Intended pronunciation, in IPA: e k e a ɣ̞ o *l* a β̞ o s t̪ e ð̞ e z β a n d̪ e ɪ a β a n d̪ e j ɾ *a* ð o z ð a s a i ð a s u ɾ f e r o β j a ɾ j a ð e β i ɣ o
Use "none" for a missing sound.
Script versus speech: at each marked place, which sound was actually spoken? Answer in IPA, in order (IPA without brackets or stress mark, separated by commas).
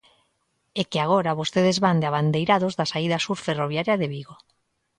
ɾ, a